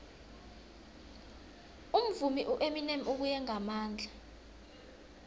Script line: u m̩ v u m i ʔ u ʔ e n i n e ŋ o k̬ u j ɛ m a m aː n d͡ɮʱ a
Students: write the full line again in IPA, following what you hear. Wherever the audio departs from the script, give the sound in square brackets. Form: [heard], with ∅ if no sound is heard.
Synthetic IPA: u m̩ v u m i ʔ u ʔ e [m] i n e [m] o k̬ u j ɛ [ŋ] a m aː n d͡ɮʱ a